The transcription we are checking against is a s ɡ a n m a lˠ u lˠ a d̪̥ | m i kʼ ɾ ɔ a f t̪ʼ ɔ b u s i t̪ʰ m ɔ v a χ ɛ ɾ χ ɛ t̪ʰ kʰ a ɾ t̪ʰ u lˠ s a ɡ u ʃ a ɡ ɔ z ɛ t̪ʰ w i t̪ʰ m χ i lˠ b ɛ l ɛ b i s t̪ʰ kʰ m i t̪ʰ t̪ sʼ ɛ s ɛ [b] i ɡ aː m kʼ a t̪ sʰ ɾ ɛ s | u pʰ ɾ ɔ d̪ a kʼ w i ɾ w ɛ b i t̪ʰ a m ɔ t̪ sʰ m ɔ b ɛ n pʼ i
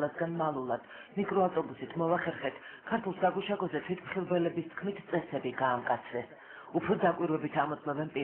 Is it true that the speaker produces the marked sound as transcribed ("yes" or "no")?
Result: yes